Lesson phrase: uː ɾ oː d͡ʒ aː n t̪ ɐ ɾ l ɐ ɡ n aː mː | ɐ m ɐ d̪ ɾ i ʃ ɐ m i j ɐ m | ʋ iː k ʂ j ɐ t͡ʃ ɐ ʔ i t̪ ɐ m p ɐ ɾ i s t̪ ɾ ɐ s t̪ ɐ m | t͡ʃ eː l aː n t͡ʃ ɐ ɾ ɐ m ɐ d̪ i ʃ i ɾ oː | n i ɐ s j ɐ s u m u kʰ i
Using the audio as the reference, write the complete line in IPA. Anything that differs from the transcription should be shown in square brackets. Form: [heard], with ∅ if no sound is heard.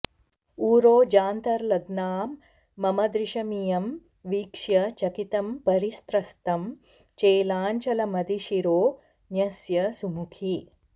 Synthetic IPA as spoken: uː ɾ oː d͡ʒ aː n t̪ ɐ ɾ l ɐ ɡ n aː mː | ɐ m ɐ d̪ ɾ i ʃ ɐ m i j ɐ m | ʋ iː k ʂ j ɐ t͡ʃ ɐ [k] i t̪ ɐ m p ɐ ɾ i s t̪ ɾ ɐ s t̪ ɐ m | t͡ʃ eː l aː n t͡ʃ ɐ [l] ɐ m ɐ d̪ i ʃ i ɾ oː | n [j] ɐ s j ɐ s u m u kʰ i